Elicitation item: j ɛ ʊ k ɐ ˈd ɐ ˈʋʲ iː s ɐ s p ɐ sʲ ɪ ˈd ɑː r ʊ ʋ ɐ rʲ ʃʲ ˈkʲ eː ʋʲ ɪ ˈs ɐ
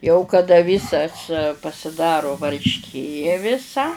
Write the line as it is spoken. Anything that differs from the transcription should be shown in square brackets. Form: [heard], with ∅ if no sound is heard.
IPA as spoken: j ɛ ʊ k ɐ ˈd ɐ ˈʋʲ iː s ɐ s p ɐ sʲ ɪ ˈd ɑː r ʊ ʋ ɐ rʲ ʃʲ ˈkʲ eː ʋʲ ɪ ˈs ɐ